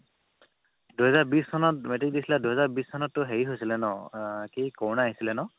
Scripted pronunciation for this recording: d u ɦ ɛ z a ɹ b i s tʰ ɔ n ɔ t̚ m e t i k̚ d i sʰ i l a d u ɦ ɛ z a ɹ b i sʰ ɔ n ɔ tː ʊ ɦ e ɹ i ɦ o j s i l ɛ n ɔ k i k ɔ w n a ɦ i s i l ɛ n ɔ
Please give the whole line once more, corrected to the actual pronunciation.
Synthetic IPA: d u ɦ ɛ z a ɹ b i s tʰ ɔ n ɔ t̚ m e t i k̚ d i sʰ i l a d u ɦ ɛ z a ɹ b i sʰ ɔ n ɔ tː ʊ ɦ e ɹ i ɦ o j s i l ɛ n ɔ k i k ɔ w n a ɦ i s i l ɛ n ɔ